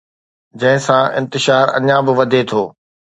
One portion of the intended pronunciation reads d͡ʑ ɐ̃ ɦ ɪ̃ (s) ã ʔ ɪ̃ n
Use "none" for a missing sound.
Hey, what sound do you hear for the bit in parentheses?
s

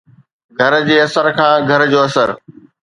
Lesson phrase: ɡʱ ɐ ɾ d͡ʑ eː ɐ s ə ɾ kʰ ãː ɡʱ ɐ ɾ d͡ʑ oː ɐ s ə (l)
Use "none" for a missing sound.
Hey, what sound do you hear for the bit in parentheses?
ɾ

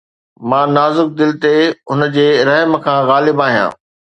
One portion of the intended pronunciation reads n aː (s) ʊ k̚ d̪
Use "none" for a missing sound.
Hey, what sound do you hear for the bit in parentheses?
z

